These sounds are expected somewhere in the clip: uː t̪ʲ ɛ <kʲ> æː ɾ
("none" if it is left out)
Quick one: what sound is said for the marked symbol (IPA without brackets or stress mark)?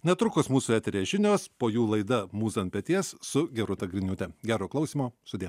ɡʲ